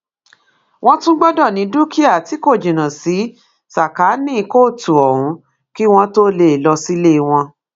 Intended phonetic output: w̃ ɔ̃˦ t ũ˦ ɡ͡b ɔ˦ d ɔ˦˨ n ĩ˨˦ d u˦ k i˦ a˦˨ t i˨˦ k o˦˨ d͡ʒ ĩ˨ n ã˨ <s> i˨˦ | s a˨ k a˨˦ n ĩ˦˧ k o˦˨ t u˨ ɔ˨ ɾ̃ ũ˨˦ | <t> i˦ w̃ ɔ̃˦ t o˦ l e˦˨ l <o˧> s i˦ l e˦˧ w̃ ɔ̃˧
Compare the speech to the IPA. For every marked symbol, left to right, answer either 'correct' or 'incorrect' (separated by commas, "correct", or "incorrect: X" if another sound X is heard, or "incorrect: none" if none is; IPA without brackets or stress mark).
correct, incorrect: k, incorrect: ɔ˧